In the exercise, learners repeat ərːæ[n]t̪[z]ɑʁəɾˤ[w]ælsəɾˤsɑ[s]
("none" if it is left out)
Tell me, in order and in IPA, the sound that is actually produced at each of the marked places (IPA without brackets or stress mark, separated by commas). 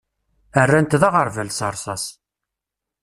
n, ð, v, s